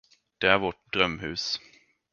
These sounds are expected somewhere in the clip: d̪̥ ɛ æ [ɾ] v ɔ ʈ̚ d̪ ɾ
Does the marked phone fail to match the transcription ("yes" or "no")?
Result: no